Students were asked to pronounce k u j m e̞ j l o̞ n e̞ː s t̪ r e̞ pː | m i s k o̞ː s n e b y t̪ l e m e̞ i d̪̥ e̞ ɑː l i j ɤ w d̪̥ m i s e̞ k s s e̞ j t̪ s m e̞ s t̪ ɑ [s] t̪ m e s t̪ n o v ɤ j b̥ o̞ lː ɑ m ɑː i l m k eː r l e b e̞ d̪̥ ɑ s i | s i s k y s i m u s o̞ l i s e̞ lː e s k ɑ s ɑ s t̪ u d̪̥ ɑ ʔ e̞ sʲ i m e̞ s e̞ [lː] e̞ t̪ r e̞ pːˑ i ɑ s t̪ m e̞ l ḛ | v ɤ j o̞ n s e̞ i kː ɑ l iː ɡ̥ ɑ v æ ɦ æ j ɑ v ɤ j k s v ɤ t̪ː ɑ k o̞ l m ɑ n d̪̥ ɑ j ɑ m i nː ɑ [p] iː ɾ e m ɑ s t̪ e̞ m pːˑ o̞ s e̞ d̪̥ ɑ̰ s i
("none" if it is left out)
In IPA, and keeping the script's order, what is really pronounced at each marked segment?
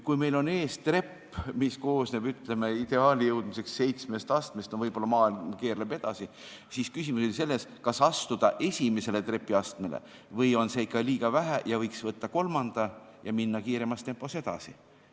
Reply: s, l, k

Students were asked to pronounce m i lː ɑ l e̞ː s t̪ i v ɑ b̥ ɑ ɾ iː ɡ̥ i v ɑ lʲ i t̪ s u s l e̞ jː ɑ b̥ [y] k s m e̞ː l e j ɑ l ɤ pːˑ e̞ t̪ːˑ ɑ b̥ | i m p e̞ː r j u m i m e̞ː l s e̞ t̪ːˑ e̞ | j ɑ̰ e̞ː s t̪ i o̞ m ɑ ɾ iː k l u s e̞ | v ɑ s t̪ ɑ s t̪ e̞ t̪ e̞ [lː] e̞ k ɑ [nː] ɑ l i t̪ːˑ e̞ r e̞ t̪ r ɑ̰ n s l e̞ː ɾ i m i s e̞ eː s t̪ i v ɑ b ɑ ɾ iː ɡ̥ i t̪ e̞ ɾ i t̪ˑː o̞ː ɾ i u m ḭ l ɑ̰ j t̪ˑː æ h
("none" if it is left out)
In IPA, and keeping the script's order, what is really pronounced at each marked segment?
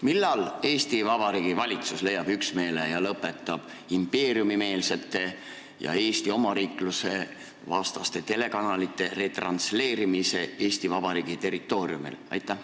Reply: y, l, n

